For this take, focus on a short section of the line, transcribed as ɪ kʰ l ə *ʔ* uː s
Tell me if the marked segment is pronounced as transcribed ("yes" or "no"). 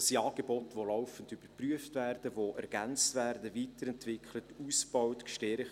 no